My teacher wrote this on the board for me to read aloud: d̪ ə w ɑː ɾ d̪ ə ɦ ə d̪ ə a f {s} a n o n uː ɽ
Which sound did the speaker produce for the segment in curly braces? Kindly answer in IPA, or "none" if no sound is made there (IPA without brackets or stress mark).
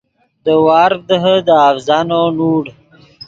z